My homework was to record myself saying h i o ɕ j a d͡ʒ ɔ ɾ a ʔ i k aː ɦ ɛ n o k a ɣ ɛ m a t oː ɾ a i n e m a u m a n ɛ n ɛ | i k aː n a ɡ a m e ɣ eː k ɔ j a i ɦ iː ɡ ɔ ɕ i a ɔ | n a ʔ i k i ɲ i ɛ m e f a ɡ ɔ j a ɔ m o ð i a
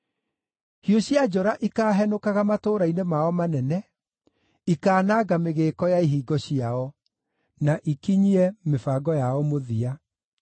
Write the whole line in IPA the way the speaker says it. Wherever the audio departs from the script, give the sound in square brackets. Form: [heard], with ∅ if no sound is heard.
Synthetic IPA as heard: h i o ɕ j a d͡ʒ ɔ ɾ a ʔ i k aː ɦ ɛ n o k a ɣ [a] m a t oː ɾ a i n e m a [ɔ] m a n ɛ n ɛ | i k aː n a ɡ a m e ɣ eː k ɔ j a i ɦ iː ɡ ɔ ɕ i a ɔ | n a ʔ i k i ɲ i ɛ m e f a ɡ ɔ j a ɔ m o ð i a